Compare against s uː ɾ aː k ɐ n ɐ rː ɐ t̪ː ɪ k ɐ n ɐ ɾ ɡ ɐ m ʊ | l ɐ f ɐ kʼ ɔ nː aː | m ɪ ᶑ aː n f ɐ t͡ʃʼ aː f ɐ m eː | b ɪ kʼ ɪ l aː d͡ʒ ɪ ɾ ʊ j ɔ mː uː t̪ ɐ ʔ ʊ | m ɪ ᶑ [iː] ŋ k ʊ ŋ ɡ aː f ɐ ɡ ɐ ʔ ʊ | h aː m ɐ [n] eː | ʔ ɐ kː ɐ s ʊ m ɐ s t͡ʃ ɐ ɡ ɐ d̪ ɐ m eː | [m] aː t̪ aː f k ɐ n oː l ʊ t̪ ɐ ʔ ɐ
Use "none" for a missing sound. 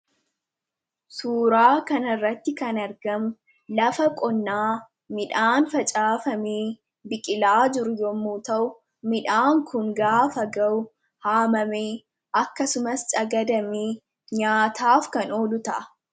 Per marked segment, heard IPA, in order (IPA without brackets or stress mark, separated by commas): aː, m, ɲ